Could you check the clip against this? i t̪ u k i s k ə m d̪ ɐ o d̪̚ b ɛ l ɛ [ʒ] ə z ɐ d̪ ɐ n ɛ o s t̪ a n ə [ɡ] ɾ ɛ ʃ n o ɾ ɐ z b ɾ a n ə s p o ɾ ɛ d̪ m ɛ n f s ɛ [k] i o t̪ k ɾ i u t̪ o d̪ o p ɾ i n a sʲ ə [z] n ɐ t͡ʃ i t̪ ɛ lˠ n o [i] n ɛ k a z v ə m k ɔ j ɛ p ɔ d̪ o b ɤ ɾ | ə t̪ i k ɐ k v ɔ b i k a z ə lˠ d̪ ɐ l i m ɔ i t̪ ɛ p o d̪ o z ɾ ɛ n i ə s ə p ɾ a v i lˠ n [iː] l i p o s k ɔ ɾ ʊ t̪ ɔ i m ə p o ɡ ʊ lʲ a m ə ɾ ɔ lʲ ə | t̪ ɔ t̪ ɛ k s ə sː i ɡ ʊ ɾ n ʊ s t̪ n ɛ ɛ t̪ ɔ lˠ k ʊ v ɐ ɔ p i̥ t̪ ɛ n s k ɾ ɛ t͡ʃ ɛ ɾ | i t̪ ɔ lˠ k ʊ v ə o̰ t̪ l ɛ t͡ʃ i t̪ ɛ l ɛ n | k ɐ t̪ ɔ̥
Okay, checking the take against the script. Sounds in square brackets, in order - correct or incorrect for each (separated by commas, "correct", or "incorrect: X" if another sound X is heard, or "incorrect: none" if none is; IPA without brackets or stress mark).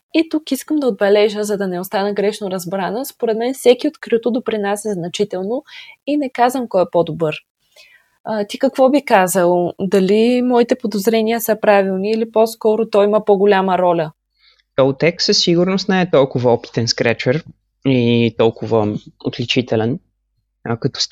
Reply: correct, correct, correct, correct, correct, correct